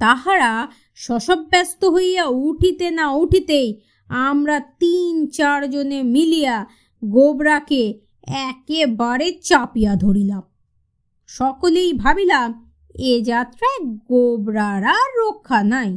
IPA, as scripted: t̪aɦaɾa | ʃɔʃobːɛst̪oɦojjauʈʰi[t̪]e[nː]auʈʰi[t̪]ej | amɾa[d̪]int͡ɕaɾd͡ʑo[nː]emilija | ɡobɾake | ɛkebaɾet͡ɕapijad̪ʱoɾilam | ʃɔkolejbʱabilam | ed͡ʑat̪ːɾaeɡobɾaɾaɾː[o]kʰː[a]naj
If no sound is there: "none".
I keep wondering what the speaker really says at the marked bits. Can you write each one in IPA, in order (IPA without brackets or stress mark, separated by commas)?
t̪, n, t̪, t̪, n, o, a